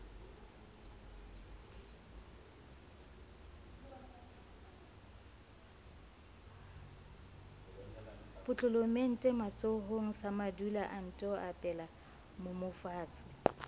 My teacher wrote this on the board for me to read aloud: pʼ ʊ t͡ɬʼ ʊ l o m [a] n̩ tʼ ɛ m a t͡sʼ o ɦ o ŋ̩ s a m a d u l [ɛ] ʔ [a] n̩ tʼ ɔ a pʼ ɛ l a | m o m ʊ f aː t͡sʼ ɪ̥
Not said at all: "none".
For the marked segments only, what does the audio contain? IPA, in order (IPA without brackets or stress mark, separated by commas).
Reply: e, a, a